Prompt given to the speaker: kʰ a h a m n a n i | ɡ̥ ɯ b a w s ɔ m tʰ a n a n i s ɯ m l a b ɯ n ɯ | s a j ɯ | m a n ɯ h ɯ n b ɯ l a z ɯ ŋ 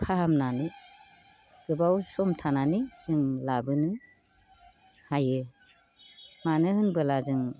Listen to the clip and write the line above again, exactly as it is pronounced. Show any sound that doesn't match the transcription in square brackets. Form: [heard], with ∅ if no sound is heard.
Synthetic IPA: kʰ a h a m n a n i | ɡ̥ ɯ b a w s ɔ m tʰ a n a n i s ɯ [ŋ] l a b ɯ n ɯ | [h] a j ɯ | m a n ɯ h ɯ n b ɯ l a z ɯ ŋ